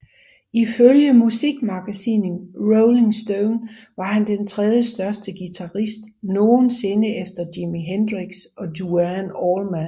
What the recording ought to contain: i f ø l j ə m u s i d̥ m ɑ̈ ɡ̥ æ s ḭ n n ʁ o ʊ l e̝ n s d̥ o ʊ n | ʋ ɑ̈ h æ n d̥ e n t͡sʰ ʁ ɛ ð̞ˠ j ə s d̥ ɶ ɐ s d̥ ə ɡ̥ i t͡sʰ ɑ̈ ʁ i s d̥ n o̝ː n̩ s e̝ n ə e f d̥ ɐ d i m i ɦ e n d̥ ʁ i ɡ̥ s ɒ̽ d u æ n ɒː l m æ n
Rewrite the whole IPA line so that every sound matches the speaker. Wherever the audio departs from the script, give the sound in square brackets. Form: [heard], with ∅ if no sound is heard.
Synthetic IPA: i f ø l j ə m u s i [ɡ̥] m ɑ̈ ɡ̥ æ s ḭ n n ʁ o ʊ l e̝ [ŋ] s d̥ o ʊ n | ʋ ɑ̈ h æ n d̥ e n t͡sʰ ʁ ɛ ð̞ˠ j ə s d̥ ɶ ɐ s d̥ ə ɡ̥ i t͡sʰ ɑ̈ ʁ i s d̥ n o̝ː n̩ s e̝ n ə e f d̥ ɐ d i m i ɦ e n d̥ ʁ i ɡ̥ s ɒ̽ d u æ n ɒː l m æ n